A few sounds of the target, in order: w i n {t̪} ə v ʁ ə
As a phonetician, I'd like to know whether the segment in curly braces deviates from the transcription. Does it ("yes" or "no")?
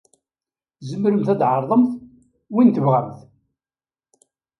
no